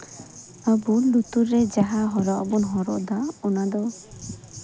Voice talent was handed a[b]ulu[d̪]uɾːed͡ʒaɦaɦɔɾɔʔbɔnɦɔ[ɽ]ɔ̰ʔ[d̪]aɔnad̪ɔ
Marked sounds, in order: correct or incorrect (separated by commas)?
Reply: correct, incorrect, incorrect, correct